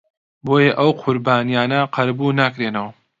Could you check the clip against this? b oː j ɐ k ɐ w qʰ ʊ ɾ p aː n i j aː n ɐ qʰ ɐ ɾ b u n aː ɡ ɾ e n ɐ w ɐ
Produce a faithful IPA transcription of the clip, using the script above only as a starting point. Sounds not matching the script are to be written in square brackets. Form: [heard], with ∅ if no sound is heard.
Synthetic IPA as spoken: b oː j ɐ [ʔ] ɐ w qʰ ʊ ɾ [b] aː n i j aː n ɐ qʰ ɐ ɾ b u n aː [k] ɾ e n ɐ w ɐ